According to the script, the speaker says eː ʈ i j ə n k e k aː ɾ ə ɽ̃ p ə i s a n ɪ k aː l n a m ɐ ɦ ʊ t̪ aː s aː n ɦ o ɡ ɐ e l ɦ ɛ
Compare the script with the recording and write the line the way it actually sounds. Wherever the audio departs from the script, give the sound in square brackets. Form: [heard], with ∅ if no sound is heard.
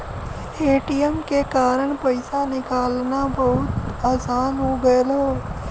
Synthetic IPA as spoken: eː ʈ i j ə [m] k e k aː ɾ ə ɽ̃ p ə [ɪ] s a n ɪ k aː l n a [b] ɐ ɦ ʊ t̪ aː s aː n ɦ o ɡ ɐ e l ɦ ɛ